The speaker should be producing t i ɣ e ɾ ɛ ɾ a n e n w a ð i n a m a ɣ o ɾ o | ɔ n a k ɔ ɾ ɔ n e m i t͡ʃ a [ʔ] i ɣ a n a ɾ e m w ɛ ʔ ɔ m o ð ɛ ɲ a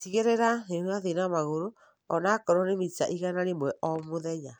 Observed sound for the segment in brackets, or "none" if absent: ʔ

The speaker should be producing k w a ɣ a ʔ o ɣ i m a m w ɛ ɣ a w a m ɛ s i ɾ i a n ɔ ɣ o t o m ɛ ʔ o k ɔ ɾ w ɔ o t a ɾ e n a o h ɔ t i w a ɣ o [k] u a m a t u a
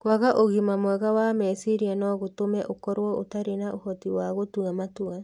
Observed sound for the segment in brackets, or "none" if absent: t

